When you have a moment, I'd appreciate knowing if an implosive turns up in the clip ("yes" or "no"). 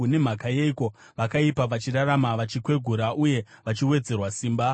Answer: no